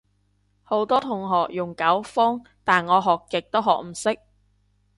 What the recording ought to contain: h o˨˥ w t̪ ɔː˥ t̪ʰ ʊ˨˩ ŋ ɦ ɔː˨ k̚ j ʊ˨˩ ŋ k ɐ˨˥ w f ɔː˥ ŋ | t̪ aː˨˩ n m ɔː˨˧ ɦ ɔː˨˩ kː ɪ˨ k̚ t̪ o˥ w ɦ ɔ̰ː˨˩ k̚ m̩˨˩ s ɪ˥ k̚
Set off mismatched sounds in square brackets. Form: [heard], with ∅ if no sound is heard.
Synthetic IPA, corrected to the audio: h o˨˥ w t̪ ɔː˥ t̪ʰ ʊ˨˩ ŋ ɦ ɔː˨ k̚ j ʊ˨˩ ŋ k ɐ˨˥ w f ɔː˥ ŋ | t̪ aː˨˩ n [ŋ] ɔː˨˧ ɦ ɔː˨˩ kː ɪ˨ k̚ t̪ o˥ w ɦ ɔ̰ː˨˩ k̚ m̩˨˩ s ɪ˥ k̚